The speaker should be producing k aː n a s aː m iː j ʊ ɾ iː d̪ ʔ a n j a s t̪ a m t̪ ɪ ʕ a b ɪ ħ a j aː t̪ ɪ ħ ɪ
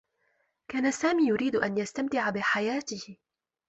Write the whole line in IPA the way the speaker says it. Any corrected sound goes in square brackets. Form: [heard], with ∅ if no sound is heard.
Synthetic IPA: k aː n a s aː m iː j ʊ ɾ iː d̪ ʔ a n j a s t̪ a m t̪ ɪ ʕ a b ɪ ħ a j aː t̪ ɪ [h] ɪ